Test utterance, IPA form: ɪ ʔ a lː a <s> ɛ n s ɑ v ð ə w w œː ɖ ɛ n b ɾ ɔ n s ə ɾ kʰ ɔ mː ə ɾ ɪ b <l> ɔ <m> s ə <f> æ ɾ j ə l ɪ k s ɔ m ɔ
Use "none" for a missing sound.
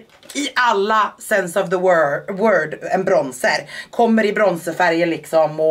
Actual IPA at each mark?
s, ɾ, n, f

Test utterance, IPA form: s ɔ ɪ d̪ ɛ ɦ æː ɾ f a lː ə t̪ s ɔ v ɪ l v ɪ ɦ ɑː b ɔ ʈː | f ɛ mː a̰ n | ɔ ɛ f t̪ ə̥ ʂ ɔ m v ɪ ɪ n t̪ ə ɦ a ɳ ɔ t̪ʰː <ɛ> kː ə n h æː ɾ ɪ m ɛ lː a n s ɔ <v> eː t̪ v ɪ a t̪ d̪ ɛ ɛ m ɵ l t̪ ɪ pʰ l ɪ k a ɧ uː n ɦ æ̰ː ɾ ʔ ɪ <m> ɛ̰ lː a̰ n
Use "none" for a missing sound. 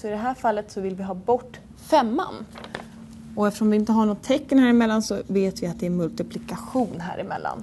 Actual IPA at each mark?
ɛ, v, m

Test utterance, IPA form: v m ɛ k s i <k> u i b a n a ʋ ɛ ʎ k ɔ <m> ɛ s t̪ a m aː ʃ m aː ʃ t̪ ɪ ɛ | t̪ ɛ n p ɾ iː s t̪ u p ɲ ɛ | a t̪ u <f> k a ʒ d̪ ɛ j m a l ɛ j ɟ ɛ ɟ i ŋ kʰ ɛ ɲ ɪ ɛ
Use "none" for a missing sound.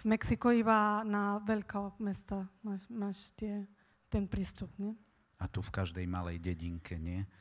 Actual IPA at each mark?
k, m, f

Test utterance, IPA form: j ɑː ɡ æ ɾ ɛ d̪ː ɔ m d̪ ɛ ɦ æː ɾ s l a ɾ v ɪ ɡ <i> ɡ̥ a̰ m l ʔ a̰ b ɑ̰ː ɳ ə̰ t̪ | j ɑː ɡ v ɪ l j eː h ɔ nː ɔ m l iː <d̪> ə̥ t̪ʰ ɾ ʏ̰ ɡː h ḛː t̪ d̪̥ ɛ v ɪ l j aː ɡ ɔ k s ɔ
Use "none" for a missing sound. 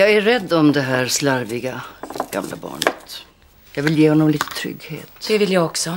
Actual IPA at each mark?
a, t̪

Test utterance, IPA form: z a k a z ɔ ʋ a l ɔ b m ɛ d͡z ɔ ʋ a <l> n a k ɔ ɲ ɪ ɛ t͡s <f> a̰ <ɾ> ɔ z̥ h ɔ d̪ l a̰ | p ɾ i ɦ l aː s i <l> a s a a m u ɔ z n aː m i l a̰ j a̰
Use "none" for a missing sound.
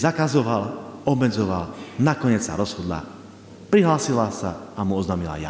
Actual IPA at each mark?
l, s, ɾ, l

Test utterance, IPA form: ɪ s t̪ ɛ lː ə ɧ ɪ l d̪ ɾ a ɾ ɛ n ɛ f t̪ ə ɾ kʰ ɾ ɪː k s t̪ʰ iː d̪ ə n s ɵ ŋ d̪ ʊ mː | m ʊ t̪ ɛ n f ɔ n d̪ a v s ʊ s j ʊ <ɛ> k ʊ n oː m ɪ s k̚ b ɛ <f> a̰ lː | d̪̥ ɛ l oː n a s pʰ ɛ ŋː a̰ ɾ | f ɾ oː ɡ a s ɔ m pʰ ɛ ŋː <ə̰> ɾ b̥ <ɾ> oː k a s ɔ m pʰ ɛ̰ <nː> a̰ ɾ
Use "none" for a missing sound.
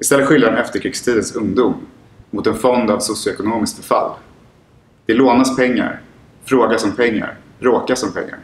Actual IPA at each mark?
ɛ, f, a̰, ɾ, ŋː

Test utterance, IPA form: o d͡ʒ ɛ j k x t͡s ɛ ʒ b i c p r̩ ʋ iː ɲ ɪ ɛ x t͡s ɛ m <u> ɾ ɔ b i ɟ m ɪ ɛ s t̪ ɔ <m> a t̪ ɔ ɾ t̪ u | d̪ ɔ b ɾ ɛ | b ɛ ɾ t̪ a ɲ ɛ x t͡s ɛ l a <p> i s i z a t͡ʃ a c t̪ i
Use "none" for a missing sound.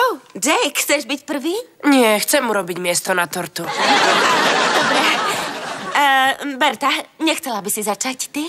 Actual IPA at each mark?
u, n, b

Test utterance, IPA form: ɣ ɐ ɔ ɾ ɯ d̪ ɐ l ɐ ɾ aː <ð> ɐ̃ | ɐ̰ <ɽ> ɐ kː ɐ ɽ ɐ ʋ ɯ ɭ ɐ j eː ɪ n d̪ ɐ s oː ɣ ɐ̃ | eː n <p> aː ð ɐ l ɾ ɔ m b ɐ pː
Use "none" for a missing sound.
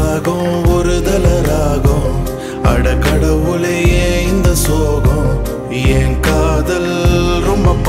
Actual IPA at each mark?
ɣ, ɽ, k

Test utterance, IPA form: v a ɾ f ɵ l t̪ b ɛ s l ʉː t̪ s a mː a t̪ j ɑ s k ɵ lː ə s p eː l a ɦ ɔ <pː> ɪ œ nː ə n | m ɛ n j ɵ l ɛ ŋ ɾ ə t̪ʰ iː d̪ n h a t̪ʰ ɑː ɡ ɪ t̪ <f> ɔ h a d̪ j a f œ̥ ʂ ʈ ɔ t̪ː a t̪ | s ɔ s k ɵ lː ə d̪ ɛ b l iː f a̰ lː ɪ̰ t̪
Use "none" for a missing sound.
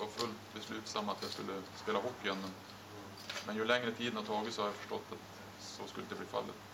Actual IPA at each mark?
pː, s

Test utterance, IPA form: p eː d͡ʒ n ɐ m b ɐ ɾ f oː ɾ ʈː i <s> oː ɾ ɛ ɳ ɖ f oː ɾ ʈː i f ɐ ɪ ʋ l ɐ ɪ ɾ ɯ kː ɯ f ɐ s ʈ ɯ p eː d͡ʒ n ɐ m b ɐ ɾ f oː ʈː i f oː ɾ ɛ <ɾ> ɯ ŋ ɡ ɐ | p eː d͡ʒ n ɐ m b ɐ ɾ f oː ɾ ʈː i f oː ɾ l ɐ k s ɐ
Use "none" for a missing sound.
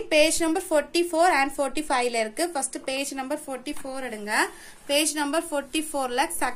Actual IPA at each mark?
f, ɽ

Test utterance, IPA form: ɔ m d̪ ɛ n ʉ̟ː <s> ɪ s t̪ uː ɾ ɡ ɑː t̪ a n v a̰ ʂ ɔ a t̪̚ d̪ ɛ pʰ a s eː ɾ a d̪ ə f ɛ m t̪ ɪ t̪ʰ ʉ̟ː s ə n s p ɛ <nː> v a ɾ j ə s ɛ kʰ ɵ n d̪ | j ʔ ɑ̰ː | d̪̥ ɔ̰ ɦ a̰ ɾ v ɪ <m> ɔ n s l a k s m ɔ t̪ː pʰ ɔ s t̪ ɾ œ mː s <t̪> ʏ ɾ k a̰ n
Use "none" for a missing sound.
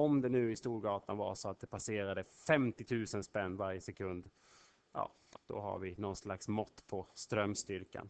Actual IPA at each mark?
none, nː, n, t̪

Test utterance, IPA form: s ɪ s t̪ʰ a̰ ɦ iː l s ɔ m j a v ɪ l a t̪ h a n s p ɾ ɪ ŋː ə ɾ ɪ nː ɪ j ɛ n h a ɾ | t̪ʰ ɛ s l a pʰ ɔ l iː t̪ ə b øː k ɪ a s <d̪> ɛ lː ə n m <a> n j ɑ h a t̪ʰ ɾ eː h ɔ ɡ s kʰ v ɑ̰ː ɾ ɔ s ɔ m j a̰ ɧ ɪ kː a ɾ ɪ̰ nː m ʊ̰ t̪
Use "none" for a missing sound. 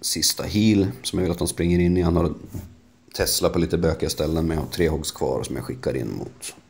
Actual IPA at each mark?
t̪, ɛ

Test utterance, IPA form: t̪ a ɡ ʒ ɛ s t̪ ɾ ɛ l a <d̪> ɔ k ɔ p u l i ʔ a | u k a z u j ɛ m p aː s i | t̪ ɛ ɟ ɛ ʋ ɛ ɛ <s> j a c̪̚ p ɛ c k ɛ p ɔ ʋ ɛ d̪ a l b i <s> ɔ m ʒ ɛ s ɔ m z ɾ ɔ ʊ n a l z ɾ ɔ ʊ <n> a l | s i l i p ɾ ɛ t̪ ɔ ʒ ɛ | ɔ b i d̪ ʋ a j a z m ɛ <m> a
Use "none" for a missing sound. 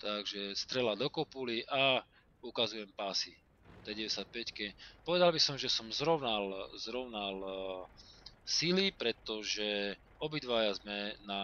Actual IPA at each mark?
d̪, s, s, n, n

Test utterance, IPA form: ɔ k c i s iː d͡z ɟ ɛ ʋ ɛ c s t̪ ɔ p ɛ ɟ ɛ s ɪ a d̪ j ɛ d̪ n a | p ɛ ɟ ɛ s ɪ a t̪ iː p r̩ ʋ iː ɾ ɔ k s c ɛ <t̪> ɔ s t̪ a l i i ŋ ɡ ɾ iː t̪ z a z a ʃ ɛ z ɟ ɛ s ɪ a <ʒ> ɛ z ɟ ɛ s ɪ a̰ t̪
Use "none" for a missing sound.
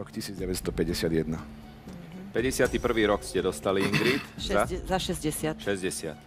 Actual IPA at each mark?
d̪, ʃ

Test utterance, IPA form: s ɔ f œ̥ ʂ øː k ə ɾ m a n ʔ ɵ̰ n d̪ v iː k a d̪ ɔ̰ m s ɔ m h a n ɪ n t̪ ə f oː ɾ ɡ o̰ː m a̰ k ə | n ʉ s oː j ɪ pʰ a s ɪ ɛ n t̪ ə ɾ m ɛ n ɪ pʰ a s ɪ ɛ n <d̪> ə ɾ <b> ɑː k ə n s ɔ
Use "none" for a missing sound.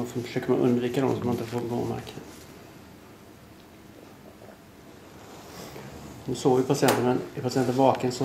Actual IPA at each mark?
t̪, v

